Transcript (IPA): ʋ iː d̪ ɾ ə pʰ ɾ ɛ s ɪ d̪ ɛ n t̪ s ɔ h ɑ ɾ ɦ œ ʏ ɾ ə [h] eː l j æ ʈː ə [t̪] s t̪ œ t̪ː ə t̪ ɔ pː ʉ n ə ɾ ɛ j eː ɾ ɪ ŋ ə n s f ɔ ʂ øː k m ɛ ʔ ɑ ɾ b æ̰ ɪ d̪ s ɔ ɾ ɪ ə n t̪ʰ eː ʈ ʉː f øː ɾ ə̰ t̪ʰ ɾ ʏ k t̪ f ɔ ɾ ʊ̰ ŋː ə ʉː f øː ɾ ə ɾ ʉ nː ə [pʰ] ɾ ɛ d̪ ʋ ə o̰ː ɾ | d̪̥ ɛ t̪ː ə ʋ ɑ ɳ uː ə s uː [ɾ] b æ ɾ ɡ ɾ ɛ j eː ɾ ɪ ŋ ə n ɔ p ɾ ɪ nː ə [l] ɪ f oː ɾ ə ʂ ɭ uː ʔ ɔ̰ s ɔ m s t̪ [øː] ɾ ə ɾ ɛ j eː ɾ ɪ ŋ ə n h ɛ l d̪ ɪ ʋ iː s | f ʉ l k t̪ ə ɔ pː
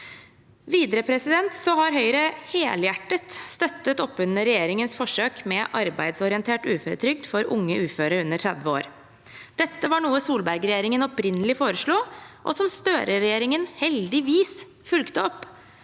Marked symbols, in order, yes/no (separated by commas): yes, yes, no, no, yes, yes